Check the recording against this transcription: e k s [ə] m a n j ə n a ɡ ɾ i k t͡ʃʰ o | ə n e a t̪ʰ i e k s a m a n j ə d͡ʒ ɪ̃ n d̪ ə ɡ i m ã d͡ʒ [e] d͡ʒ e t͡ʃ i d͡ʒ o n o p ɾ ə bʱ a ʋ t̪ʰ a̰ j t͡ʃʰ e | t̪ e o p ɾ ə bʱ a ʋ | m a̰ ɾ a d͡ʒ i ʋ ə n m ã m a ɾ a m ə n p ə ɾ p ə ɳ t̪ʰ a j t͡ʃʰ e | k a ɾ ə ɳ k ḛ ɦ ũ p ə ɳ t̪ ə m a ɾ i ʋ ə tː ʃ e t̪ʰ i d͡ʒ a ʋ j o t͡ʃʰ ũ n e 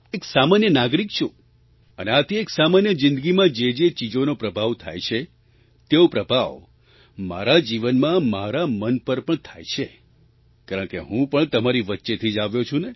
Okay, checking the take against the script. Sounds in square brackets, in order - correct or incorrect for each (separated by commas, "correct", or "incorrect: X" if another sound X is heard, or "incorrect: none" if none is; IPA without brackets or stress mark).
incorrect: a, correct